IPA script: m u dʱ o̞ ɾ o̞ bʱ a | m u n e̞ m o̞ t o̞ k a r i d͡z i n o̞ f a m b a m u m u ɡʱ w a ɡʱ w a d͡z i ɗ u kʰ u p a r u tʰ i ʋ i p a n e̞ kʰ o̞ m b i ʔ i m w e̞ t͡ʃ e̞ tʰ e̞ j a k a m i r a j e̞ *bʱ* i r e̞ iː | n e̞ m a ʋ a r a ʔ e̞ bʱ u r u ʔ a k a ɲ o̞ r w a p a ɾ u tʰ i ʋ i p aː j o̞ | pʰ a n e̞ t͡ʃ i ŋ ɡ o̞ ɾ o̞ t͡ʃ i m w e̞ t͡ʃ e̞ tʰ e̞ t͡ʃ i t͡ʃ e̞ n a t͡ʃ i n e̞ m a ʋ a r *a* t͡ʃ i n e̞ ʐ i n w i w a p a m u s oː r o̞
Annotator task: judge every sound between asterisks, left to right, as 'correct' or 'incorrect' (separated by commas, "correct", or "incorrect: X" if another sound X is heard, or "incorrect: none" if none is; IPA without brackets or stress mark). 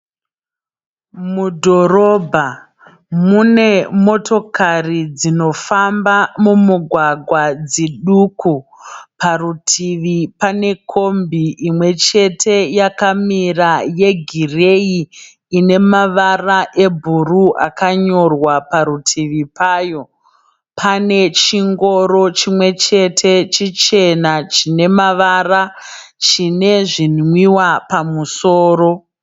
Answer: incorrect: ɡʱ, correct